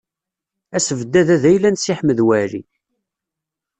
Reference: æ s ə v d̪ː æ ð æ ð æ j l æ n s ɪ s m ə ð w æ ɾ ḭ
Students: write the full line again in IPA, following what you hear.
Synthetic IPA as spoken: æ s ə v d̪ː æ ð æ ð æ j l æ n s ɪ ħ m ə ð w æ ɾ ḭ

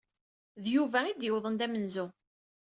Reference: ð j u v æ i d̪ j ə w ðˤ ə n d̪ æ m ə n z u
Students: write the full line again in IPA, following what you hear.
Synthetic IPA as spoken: ð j u v æ i d̪ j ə w ðˤ ə n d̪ æ m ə n z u

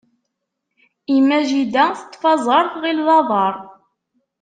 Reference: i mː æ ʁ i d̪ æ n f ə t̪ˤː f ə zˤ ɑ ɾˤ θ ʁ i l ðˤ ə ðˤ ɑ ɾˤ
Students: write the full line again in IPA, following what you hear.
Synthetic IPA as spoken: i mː æ ʒ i d̪ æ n θ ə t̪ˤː f ɑ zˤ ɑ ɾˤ θ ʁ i l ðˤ ɑ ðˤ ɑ ɾˤ

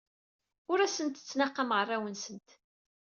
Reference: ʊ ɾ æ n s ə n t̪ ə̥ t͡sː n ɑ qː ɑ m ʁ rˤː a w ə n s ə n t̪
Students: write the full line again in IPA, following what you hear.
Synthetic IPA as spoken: ʊ ɾ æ s ə n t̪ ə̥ t͡sː n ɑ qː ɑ m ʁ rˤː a w ə n s ə n t̪

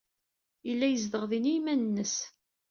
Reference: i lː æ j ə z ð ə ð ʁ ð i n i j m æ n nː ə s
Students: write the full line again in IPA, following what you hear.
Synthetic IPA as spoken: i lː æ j ə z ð ə ʁ ð i n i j m æ n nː ə s

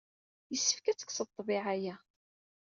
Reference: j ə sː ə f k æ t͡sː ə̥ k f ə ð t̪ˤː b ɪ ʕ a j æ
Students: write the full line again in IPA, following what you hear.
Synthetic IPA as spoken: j ə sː ə f k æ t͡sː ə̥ k s ə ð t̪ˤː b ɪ ʕ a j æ

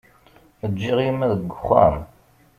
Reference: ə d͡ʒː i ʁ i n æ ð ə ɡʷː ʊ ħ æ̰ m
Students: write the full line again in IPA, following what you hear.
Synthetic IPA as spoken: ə d͡ʒː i ʁ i m æ ð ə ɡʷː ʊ χ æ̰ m

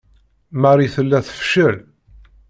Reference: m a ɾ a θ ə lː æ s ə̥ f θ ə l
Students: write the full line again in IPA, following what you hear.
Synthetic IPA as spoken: m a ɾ i θ ə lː æ θ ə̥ f ʃ ə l

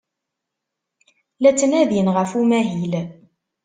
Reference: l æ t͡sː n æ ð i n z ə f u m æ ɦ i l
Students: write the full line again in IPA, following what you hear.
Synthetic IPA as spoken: l æ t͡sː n æ ð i n ʁ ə f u m æ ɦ i l

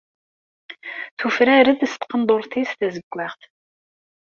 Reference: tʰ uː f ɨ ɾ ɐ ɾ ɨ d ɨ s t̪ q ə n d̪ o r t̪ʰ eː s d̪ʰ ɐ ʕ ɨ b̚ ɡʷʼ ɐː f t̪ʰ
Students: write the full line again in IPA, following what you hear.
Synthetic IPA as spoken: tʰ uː f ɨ ɾ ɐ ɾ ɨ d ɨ s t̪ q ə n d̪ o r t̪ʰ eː s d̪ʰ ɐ z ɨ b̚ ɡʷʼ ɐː χ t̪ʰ

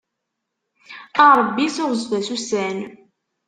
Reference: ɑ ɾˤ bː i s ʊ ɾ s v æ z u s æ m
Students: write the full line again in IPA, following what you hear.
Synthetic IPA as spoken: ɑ ɾˤ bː i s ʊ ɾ z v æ s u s æ n

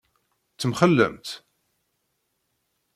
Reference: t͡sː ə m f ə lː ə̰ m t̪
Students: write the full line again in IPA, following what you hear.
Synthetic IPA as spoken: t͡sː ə m χ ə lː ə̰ m t̪

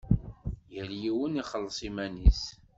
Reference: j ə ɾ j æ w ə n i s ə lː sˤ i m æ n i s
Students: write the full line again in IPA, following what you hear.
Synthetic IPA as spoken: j ə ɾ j i w ə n i χ ə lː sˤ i m æ n i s

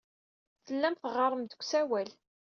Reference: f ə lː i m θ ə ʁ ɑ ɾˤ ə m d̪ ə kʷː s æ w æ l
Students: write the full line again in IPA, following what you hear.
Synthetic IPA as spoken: θ ə lː æ m θ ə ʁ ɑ ɾˤ ə m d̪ ə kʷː s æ w æ l

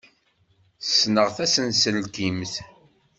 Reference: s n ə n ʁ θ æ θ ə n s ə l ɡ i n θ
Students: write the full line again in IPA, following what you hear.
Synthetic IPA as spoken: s n ə ʁ θ æ s ə n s ə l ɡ i m θ

